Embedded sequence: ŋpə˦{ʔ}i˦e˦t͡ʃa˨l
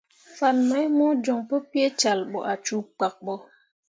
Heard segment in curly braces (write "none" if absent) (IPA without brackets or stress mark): p